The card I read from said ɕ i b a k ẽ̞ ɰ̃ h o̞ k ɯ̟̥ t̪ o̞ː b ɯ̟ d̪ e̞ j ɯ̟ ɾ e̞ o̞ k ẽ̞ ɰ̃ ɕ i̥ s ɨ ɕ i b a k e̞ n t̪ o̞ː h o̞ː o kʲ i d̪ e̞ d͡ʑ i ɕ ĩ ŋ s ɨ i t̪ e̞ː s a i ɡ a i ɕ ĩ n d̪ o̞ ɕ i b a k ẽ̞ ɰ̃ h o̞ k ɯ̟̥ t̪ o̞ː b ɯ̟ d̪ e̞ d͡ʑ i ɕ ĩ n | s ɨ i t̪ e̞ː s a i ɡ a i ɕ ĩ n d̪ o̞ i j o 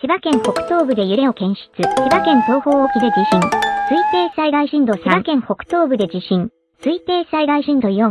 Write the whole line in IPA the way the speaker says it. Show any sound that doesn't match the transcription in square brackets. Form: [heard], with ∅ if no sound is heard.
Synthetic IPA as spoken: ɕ i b a k ẽ̞ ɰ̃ h o̞ k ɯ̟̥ t̪ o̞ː b ɯ̟ d̪ e̞ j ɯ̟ ɾ e̞ o̞ k ẽ̞ ɰ̃ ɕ i̥ [t͡s] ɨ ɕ i b a k [ẽ̞] n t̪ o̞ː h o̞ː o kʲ i d̪ e̞ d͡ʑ i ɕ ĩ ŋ s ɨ i t̪ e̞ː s a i ɡ a i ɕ ĩ n d̪ o̞ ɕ i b a k ẽ̞ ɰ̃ h o̞ k ɯ̟̥ t̪ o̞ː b ɯ̟ d̪ e̞ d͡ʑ i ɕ ĩ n | s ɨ i t̪ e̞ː s a i ɡ a i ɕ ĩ n d̪ o̞ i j o